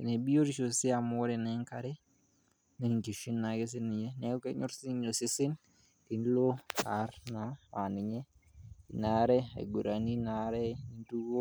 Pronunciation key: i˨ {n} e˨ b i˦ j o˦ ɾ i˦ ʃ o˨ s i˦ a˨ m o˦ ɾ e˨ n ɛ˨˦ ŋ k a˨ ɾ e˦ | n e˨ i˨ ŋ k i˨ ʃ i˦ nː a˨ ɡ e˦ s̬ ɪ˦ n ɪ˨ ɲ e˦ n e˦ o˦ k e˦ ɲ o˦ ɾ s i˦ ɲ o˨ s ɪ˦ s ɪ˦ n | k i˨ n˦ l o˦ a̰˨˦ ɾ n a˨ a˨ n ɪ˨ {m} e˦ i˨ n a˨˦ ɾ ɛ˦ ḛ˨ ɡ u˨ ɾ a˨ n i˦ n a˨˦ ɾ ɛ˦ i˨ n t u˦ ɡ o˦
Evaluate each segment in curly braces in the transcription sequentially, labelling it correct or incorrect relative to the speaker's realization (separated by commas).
correct, incorrect